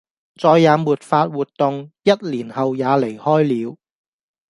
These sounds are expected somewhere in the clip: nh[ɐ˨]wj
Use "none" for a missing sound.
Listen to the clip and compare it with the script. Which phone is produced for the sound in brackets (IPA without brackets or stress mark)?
ɐ˨